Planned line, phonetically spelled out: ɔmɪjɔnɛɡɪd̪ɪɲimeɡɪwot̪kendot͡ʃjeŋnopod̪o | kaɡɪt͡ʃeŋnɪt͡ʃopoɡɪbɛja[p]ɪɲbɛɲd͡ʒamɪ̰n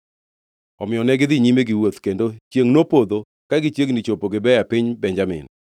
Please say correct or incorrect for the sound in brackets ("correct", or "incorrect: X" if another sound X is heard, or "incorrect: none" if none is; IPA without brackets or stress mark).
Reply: correct